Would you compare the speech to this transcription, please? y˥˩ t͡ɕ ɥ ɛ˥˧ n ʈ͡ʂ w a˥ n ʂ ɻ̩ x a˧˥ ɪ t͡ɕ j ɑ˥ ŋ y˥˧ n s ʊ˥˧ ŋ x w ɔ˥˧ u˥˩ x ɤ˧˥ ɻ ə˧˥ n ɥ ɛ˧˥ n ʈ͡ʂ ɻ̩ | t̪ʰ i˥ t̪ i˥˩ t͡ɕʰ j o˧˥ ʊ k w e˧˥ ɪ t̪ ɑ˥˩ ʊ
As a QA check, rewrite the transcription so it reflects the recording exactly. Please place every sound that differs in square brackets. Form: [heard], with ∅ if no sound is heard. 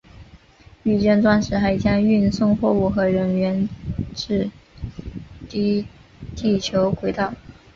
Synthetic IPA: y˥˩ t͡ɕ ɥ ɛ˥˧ n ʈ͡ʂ w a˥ n ʂ ɻ̩ x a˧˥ ɪ t͡ɕ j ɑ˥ ŋ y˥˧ n s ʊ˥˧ ŋ x w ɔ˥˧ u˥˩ x ɤ˧˥ ɻ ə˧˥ n ɥ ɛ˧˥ n ʈ͡ʂ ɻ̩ | [t̪] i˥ t̪ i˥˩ t͡ɕʰ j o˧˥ ʊ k w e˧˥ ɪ t̪ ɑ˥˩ ʊ